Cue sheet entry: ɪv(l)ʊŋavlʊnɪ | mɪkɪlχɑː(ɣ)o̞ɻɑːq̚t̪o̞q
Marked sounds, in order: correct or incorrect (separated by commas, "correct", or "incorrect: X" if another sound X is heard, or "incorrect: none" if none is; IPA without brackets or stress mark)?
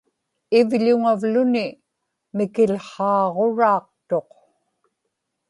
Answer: incorrect: ʎ, incorrect: ʁ